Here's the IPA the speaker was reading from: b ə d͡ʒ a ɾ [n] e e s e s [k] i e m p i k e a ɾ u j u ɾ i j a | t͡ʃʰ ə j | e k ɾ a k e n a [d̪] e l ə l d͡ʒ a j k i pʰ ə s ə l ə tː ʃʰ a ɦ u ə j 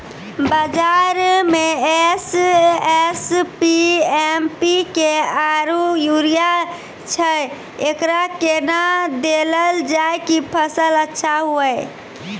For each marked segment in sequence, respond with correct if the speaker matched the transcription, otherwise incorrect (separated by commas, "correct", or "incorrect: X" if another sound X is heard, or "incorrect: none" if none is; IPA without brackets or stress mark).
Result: incorrect: m, incorrect: p, correct